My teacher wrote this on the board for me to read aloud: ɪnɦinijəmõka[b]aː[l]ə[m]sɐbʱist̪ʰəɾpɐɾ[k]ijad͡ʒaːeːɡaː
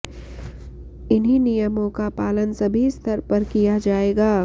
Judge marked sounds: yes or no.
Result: no, yes, no, yes

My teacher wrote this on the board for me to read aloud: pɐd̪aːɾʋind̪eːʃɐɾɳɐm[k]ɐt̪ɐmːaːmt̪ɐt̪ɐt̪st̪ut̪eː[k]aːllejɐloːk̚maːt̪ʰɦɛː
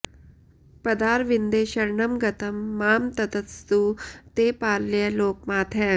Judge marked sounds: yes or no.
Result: no, no

